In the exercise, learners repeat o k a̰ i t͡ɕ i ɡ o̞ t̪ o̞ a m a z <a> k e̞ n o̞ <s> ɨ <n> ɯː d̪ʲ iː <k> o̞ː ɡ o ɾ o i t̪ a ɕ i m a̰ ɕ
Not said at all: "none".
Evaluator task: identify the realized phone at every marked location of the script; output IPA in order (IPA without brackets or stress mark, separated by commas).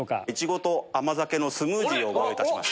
a, s, m, none